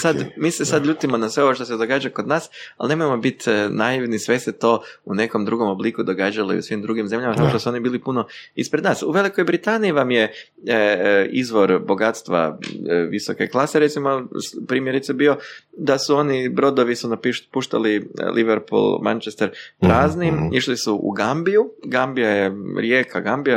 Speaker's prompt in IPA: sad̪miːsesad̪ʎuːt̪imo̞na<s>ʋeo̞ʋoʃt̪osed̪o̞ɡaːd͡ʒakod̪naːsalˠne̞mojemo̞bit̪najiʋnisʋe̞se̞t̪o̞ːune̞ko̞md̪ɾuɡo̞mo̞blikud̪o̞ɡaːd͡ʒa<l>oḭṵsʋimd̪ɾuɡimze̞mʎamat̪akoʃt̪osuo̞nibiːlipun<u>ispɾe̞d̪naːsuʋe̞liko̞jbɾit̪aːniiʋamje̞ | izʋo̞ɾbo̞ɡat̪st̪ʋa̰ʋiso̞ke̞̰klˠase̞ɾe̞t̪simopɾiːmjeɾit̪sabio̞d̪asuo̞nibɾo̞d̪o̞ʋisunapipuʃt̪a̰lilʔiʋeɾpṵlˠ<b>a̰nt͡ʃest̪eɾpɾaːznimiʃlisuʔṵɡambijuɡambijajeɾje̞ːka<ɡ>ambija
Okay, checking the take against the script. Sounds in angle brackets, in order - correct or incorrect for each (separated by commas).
correct, correct, incorrect, incorrect, correct